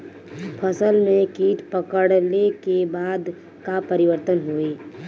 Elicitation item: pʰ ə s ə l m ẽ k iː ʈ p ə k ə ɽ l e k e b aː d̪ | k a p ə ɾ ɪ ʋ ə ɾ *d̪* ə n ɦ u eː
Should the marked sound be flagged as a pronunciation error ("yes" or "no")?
yes